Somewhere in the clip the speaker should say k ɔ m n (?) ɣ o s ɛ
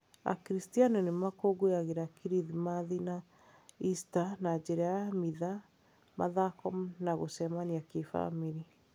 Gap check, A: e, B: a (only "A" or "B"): B